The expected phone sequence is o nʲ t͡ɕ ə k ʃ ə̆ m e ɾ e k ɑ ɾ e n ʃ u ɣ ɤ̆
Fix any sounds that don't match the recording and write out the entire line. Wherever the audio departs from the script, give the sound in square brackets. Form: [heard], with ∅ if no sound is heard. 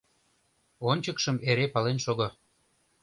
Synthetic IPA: o nʲ t͡ɕ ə k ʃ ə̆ m e ɾ e [p] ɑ [l] e n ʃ [o] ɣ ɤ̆